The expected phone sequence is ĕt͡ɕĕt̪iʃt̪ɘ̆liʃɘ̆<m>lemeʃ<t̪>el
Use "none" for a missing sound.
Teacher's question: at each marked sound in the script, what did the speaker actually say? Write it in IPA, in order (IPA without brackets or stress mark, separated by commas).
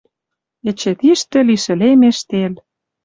none, t̪